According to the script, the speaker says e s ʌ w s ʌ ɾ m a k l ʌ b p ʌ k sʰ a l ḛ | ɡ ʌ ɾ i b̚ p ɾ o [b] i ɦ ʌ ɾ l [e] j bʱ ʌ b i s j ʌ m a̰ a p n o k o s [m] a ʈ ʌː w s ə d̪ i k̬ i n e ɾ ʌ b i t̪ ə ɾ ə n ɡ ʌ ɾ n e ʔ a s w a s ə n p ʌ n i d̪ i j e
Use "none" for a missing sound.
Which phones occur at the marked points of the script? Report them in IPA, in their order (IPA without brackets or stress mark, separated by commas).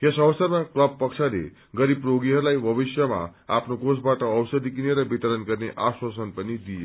ɡ, a, b